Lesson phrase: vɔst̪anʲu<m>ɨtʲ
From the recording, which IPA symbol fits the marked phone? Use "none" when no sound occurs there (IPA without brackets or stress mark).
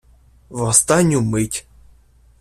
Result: m